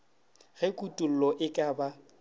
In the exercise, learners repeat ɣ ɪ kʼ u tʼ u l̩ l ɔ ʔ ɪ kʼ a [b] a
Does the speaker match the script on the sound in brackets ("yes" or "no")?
yes